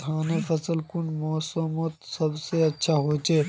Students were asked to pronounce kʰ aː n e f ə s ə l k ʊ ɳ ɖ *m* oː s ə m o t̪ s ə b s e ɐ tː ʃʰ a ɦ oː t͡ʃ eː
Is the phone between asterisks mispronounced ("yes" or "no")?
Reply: no